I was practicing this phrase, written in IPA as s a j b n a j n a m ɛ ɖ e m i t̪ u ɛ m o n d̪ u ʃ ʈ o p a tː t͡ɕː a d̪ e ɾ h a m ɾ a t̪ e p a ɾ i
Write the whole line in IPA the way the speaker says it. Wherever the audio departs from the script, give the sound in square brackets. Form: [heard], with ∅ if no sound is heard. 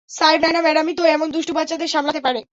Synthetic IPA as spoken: s a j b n a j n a m ɛ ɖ [a] m i t̪ [o] ɛ m o n d̪ u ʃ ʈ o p a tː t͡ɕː a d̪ e ɾ [ʃ] a m [l] a t̪ e p a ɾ [e]